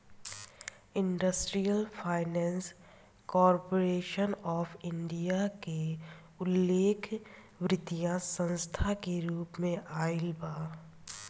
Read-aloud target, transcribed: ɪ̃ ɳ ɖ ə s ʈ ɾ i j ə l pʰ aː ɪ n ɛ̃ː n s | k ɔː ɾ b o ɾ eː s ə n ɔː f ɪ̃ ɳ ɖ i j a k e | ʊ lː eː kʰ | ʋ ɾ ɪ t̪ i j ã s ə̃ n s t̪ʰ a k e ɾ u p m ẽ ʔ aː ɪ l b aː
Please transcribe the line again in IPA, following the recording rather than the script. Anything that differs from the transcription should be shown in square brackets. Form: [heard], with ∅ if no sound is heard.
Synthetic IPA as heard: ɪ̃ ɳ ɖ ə s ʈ ɾ i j ə l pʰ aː ɪ n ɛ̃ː n s | k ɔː ɾ [p] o ɾ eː [ʃ] ə n ɔː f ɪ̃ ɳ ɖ i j a k e | ʊ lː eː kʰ | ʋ ɾ ɪ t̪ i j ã s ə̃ n s t̪ʰ a k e ɾ [uː] p m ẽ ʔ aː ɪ l b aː

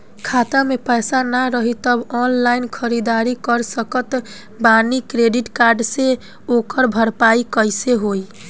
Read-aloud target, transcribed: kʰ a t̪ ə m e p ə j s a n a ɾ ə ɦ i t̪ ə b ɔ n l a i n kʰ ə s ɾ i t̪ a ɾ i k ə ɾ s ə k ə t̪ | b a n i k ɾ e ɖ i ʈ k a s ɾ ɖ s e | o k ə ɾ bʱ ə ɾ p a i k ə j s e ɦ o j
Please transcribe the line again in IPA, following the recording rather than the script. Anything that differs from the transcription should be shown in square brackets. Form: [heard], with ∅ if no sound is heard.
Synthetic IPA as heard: kʰ a t̪ [a] m e p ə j s a n a ɾ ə ɦ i t̪ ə b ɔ n l a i n kʰ ə [∅] ɾ i [d̪] a ɾ i k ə ɾ s ə k ə t̪ | b a n i k ɾ e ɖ i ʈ k a [∅] ɾ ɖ s e | o k ə ɾ bʱ ə ɾ p a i k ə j s e ɦ o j

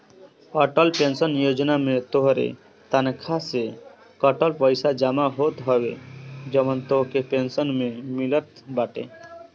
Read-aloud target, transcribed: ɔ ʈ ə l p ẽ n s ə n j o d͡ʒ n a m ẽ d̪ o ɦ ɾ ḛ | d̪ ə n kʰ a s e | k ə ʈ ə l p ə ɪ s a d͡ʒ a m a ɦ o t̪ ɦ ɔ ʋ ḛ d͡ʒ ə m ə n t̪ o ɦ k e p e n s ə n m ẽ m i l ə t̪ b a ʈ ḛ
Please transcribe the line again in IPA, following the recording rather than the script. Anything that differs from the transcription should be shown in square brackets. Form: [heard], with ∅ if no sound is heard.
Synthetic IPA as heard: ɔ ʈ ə l p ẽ n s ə n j o d͡ʒ n a m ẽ [t̪] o ɦ ɾ ḛ | [t̪] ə n kʰ a s e | k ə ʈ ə l p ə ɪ s a d͡ʒ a m a ɦ o t̪ ɦ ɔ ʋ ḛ d͡ʒ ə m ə n t̪ o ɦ k e p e n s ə n m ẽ m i l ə t̪ b a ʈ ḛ

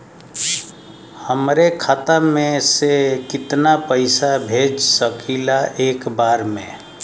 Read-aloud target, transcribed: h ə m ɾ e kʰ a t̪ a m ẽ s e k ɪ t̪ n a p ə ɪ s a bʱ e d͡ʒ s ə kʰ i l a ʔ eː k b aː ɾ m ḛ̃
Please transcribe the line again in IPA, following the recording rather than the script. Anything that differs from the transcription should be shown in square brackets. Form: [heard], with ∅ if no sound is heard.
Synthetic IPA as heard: h ə m ɾ e kʰ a t̪ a m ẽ s e k ɪ t̪ n a p ə ɪ s a bʱ e d͡ʒ s ə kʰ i l a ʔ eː k b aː ɾ m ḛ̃

